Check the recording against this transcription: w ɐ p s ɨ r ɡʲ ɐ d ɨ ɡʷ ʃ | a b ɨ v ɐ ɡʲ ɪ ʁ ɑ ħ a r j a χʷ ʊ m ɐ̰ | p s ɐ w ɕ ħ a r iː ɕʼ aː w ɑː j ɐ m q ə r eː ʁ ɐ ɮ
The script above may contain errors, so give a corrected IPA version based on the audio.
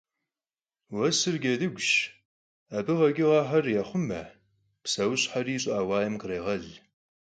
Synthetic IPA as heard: w ɐ s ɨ r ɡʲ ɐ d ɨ ɡʷ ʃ | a b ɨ ʁ ɐ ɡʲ ɪ ʁ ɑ ħ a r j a χʷ ʊ m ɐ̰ | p s ɐ w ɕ ħ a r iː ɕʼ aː w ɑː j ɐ m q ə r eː ʁ ɐ ɮ